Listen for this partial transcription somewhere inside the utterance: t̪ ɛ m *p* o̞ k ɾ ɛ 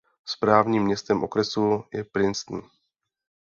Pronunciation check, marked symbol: incorrect: ʔ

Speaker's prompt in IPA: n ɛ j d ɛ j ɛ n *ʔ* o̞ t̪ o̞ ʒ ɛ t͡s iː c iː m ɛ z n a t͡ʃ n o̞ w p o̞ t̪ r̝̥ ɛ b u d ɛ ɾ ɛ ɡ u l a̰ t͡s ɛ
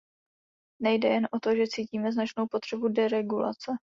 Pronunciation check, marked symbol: correct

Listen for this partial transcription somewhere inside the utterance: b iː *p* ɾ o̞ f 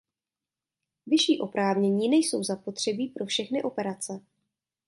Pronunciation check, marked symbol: correct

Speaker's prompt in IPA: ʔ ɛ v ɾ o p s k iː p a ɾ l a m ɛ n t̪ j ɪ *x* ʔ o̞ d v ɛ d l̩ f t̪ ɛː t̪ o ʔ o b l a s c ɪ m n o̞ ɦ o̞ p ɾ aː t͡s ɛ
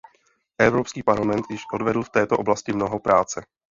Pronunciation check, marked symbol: incorrect: ʃ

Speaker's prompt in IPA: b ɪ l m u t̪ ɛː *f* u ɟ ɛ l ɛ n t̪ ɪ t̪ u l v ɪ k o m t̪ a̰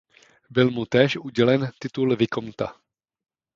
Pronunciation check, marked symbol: incorrect: ʃ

